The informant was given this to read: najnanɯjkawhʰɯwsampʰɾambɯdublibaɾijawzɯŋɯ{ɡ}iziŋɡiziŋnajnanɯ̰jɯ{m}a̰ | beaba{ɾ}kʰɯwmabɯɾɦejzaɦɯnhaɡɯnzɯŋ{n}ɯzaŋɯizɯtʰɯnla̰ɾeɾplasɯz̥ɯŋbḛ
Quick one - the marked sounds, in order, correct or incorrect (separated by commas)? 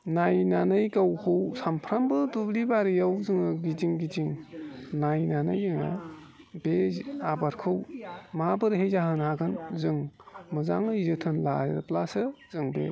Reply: correct, incorrect, correct, incorrect